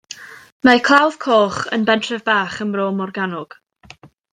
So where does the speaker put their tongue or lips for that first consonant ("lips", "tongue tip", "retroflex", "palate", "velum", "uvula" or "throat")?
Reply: lips